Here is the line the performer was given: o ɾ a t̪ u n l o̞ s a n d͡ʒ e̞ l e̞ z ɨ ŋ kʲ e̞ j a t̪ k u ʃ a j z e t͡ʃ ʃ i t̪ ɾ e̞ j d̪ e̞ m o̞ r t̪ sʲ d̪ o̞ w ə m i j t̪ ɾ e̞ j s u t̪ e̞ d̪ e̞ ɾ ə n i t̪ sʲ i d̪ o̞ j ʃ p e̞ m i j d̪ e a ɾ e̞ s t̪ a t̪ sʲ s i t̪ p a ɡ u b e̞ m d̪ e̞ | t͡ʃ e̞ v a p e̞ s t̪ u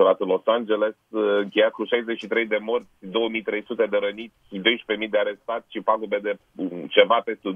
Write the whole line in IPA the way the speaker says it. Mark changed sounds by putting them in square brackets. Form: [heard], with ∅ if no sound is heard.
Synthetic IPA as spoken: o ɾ a t̪ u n l o̞ s a n d͡ʒ e̞ l e̞ [s] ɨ ŋ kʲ e̞ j a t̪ k u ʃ a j z e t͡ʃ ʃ i t̪ ɾ e̞ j d̪ e̞ m o̞ r t̪ sʲ d̪ o̞ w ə m i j t̪ ɾ e̞ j s u t̪ e̞ d̪ e̞ ɾ ə n i t̪ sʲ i d̪ o̞ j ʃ p e̞ m i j d̪ e a ɾ e̞ s t̪ a t̪ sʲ [ʃ] i [∅] p a ɡ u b e̞ [∅] d̪ e̞ | t͡ʃ e̞ v a p e̞ s t̪ u